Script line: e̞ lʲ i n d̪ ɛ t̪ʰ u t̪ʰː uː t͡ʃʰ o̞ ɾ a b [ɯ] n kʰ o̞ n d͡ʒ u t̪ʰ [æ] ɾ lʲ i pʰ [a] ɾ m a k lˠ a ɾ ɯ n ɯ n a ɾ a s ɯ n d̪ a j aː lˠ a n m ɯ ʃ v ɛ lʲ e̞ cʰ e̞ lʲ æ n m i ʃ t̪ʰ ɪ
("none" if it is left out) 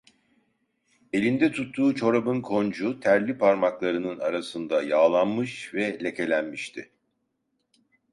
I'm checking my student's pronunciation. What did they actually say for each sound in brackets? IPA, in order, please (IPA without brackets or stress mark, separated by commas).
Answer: ɯ, æ, a